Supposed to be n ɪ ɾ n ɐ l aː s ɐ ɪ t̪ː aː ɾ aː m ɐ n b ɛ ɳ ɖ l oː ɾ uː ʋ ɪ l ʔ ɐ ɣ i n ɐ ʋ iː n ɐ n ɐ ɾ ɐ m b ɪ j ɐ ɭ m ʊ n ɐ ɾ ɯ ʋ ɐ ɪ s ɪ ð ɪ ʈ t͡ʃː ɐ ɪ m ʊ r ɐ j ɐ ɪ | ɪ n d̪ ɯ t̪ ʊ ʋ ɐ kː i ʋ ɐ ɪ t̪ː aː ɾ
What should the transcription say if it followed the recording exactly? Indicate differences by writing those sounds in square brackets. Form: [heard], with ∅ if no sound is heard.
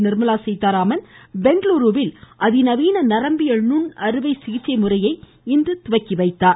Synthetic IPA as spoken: n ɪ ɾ [m] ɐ l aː s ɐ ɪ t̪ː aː ɾ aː m ɐ n b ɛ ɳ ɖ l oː ɾ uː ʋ ɪ l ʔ ɐ [ð] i n ɐ ʋ iː n ɐ n ɐ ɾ ɐ m b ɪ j ɐ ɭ [n] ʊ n ɐ ɾ ɯ ʋ ɐ ɪ s ɪ [ɣ] ɪ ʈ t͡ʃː ɐ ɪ m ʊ r ɐ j ɐ ɪ | ɪ n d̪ ɯ t̪ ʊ ʋ ɐ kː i ʋ ɐ ɪ t̪ː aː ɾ